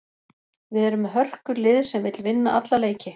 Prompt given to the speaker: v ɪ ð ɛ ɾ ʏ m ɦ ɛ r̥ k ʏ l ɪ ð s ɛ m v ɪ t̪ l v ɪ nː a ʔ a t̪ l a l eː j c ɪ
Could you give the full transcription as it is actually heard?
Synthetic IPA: v ɪ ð ɛ ɾ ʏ m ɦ œ r̥ k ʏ l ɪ ð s ɛ m v ɪ t̪ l v ɪ nː a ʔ a t̪ l a l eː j c ɪ